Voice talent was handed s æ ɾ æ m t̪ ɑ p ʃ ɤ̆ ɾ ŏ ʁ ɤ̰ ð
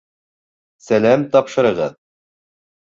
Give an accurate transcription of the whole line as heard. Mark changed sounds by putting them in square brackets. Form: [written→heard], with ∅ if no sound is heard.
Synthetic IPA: s æ [ɾ→l] æ m t̪ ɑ p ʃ ɤ̆ ɾ [ŏ→ɤ̆] ʁ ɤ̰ ð

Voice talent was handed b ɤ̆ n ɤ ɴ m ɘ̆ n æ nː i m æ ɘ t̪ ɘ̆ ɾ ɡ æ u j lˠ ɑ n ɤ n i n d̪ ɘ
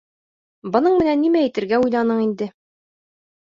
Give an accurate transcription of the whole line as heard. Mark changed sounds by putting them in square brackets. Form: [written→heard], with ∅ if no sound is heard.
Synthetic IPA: b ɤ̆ n ɤ ɴ m ɘ̆ n æ nː i m æ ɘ t̪ ɘ̆ ɾ ɡ æ u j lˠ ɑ n ɤ [n→ɴ] i n d̪ ɘ

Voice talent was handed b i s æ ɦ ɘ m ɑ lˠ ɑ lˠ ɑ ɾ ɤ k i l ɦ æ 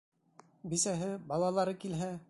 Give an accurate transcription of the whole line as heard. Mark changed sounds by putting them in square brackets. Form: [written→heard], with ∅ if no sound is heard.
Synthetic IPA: b i s æ ɦ ɘ [m→b] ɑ lˠ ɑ lˠ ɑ ɾ ɤ k i l ɦ æ

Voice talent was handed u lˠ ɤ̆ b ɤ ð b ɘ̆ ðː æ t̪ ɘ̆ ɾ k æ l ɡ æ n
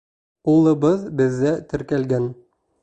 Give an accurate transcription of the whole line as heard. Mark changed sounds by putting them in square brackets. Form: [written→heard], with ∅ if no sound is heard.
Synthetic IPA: u lˠ ɤ̆ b ɤ ð b ɘ̆ ðː æ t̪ ɘ̆ ɾ k æ l ɡ æ n

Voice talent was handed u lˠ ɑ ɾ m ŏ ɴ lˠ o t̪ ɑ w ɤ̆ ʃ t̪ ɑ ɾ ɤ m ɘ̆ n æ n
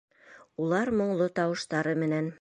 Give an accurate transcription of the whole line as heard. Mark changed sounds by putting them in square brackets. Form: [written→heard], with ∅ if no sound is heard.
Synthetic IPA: u lˠ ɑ ɾ m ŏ ɴ lˠ o t̪ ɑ w ɤ̆ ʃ t̪ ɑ ɾ ɤ m ɘ̆ n æ n

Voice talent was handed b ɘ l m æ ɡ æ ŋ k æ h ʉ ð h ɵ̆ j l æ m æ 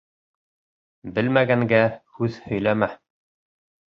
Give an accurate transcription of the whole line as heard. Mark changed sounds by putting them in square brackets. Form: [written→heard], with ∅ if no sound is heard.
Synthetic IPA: b ɘ l m æ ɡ æ ŋ [k→ɡ] æ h ʉ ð h ɵ̆ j l æ m æ

